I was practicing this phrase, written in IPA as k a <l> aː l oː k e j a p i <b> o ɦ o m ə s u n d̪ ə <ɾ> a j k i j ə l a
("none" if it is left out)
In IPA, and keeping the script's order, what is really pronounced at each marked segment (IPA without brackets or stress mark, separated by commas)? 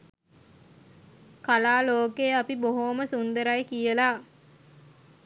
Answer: l, b, ɾ